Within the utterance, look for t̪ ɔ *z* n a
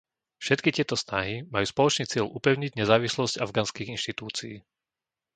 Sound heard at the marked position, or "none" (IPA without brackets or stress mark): s